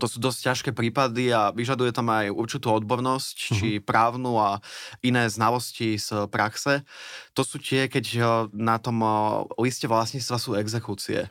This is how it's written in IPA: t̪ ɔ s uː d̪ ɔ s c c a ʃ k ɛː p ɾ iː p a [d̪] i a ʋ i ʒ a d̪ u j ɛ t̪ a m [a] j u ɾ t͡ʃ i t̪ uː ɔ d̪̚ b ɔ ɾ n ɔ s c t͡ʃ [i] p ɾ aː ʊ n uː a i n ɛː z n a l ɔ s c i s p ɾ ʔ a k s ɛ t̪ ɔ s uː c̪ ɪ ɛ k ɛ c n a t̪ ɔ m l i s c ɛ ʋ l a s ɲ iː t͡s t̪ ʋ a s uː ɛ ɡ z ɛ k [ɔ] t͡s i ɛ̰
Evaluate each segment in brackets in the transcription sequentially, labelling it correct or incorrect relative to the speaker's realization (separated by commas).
correct, correct, correct, incorrect